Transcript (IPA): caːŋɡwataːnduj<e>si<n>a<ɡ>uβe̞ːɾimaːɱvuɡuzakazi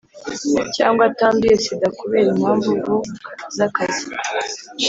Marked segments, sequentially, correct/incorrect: correct, incorrect, incorrect

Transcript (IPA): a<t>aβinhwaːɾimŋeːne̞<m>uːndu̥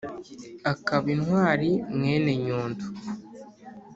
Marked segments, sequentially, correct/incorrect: incorrect, incorrect

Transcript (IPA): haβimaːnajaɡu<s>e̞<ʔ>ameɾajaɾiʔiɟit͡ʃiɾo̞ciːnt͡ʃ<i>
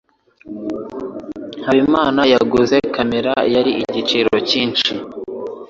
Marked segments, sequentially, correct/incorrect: incorrect, incorrect, correct

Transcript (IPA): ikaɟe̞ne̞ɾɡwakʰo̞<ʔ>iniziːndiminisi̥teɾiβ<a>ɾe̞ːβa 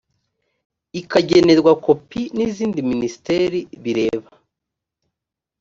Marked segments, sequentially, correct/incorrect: incorrect, incorrect

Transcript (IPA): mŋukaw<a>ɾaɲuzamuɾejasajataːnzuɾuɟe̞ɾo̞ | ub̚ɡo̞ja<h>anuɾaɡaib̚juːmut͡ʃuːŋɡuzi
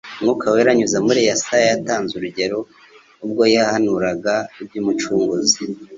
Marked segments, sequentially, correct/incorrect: incorrect, correct

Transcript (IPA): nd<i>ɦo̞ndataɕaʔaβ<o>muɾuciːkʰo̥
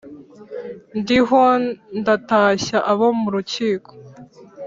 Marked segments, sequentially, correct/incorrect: correct, correct

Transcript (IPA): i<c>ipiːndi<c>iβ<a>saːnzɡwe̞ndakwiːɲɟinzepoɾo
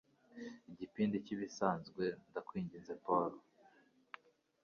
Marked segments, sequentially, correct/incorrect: incorrect, correct, incorrect

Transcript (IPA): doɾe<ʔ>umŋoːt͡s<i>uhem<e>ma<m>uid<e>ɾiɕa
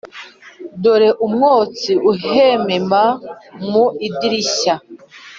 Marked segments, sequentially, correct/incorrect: correct, correct, correct, correct, incorrect

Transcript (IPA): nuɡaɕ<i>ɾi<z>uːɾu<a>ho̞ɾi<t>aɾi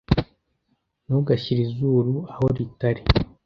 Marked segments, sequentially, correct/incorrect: correct, correct, correct, correct

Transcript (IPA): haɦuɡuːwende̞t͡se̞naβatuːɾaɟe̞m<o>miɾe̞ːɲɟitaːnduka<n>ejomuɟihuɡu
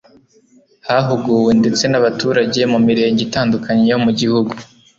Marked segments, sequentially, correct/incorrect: incorrect, incorrect

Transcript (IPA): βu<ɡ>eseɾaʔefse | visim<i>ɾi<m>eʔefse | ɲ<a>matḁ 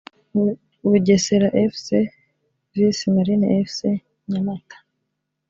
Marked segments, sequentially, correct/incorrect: incorrect, incorrect, incorrect, correct

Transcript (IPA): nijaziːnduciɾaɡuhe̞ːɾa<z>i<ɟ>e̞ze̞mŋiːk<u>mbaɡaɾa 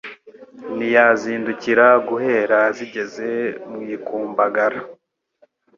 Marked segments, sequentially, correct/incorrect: correct, correct, incorrect

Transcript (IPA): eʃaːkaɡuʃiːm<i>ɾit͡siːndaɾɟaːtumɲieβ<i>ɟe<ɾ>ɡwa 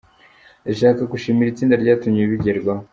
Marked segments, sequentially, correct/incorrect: correct, correct, correct

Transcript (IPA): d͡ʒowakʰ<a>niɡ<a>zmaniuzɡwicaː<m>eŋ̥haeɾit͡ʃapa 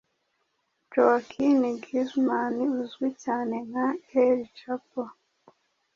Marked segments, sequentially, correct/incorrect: incorrect, incorrect, incorrect

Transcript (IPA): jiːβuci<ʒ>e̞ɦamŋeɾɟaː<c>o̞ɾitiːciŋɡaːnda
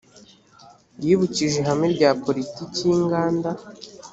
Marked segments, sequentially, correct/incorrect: correct, incorrect

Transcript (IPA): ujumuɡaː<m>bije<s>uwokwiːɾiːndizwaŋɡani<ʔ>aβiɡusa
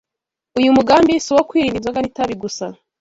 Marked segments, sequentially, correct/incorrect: correct, correct, incorrect

